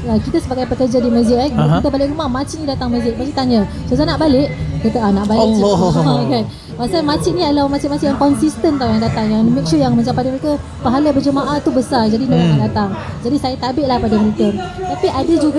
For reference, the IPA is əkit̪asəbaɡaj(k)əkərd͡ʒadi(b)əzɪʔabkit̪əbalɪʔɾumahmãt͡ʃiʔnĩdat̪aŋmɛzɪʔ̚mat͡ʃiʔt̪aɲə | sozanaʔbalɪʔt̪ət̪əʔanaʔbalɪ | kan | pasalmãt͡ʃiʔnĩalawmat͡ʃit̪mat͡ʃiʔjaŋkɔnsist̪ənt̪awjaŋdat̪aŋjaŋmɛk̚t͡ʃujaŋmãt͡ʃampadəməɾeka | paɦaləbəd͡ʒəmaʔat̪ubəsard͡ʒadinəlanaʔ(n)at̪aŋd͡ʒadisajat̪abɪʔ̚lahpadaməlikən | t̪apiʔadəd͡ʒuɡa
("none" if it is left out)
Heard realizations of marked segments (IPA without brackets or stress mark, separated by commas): p, m, d